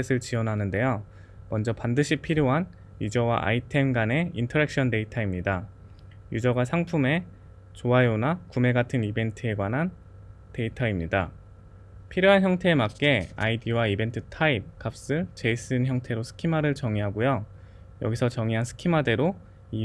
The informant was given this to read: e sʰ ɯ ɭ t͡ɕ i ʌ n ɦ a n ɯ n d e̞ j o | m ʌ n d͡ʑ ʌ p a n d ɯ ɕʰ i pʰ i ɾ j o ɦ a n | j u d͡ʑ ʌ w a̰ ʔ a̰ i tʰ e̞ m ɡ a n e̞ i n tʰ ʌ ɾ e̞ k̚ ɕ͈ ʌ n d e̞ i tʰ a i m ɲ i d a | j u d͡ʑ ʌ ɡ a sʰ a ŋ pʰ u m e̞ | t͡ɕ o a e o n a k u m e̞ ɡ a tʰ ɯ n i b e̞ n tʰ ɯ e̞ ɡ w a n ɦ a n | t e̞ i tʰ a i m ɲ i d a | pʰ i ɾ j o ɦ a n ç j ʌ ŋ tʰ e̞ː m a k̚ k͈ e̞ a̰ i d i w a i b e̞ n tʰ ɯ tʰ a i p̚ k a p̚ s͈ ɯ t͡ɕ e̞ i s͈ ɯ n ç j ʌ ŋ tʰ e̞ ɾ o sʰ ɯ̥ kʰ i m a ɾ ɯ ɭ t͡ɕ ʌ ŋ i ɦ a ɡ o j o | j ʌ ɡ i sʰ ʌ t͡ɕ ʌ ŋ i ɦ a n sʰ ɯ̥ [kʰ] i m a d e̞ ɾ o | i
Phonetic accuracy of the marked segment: correct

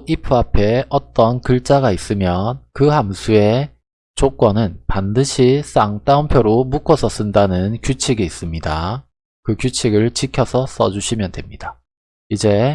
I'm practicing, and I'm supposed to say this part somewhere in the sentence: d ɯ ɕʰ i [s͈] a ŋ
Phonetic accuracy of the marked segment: correct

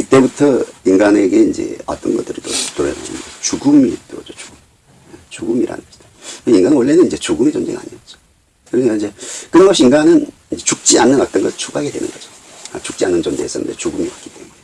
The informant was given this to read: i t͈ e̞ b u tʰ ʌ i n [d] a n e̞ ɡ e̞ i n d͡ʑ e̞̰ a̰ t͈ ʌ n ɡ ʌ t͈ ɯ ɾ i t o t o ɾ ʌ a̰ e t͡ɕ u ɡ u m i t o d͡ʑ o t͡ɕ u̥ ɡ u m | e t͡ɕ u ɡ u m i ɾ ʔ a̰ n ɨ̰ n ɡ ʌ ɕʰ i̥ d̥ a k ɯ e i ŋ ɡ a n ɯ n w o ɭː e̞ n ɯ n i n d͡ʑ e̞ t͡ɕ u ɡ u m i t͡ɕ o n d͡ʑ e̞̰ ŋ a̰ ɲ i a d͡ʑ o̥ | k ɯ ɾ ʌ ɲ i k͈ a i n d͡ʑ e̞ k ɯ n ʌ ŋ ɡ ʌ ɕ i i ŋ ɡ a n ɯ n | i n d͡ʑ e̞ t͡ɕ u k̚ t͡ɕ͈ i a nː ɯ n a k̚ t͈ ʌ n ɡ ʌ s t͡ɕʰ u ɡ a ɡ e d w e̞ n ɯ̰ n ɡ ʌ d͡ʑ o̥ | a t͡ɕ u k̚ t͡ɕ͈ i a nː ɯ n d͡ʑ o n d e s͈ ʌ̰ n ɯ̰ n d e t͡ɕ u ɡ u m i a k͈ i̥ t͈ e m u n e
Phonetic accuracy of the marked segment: incorrect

